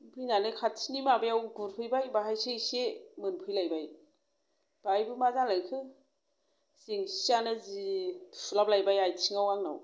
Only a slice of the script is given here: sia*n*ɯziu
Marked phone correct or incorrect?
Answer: correct